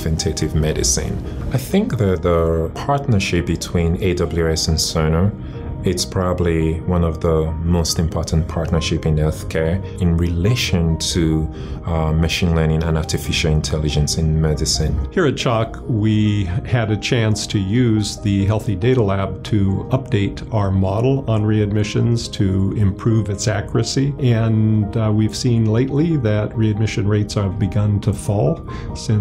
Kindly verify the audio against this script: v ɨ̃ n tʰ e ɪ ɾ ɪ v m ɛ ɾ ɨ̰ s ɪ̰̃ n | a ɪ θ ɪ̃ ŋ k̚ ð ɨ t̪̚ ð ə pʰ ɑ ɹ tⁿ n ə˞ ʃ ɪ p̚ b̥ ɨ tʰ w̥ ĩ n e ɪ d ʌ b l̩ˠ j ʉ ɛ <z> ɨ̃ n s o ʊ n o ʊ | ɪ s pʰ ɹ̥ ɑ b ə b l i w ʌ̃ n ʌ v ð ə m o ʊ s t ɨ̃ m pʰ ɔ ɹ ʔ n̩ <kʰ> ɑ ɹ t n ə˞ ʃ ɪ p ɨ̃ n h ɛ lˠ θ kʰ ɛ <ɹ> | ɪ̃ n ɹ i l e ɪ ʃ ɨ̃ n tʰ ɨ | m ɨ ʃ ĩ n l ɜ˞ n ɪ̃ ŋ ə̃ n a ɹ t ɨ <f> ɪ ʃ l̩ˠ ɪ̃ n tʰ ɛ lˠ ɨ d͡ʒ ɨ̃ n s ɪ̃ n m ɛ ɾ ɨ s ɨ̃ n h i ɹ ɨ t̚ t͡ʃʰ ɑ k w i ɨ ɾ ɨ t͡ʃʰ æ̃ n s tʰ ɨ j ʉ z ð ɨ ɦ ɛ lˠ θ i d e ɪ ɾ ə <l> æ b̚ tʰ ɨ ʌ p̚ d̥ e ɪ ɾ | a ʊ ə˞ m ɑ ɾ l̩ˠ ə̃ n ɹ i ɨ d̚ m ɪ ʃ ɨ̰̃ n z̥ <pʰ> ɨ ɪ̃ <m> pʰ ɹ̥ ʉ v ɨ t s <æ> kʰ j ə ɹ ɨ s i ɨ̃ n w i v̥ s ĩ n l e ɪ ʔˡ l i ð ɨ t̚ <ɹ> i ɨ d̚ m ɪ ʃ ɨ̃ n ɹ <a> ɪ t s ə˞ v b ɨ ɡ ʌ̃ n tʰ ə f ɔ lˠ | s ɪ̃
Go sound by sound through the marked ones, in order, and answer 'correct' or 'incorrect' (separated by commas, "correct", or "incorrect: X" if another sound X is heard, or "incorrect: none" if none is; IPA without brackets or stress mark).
incorrect: s, incorrect: pʰ, correct, correct, correct, incorrect: tʰ, correct, correct, correct, incorrect: e